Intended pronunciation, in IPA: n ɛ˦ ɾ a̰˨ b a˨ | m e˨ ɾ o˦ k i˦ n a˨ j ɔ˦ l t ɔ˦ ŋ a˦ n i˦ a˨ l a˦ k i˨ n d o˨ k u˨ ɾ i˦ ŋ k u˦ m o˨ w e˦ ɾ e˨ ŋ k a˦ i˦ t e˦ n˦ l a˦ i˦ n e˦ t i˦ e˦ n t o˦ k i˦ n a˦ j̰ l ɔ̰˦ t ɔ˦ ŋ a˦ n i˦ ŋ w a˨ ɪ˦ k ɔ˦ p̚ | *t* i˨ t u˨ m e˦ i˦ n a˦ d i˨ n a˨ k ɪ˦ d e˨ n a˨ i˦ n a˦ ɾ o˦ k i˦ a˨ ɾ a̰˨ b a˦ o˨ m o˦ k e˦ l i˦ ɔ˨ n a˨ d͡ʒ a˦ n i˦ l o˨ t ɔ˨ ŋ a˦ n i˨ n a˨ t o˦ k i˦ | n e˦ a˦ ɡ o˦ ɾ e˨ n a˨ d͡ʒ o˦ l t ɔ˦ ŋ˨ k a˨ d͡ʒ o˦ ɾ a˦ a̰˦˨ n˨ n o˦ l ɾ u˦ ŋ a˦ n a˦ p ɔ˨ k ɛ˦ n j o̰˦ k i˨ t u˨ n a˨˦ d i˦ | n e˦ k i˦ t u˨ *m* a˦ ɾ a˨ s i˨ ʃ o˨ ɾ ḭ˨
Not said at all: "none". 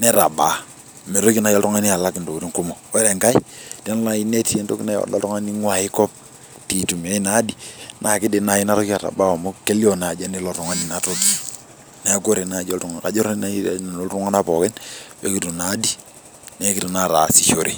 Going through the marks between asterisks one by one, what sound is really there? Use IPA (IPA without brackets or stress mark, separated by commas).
t, n